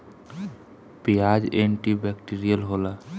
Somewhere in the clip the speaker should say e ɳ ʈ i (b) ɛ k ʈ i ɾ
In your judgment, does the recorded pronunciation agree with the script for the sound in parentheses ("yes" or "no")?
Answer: yes